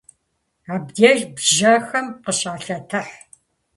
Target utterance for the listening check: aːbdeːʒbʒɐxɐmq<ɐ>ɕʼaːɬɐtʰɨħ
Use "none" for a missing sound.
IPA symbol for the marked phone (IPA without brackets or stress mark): ə